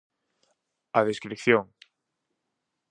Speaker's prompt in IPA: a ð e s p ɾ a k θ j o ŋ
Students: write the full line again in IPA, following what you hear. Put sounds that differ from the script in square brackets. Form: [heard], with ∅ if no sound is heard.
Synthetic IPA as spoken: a ð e s [k] ɾ [i] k θ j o ŋ